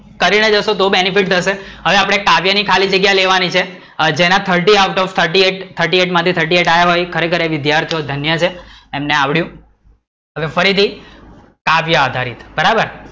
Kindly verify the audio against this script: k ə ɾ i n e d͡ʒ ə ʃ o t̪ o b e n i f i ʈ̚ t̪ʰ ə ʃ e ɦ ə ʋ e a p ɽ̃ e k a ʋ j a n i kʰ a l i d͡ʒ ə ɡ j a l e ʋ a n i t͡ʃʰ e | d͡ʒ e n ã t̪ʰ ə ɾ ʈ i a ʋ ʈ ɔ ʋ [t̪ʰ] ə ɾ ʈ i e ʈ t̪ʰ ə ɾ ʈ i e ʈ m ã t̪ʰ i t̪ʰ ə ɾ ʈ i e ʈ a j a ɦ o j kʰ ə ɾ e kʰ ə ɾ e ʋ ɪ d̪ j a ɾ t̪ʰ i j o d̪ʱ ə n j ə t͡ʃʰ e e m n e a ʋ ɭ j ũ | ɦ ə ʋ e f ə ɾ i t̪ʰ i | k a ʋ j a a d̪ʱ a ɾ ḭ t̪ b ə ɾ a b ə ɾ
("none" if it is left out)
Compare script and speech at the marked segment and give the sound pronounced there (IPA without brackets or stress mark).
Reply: t̪ʰ